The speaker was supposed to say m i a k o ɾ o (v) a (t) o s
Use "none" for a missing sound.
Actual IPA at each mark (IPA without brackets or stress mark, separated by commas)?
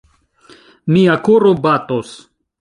b, t